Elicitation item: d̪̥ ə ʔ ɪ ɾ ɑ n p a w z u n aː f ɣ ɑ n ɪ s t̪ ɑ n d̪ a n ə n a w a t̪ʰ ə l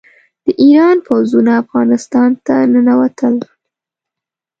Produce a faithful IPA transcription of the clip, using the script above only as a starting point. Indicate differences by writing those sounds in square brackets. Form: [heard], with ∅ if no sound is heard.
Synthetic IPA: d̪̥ ə ʔ [i] ɾ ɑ n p a w z u n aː f ɣ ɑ n ɪ s t̪ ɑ n [t̪] a n ə n a w a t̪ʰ ə l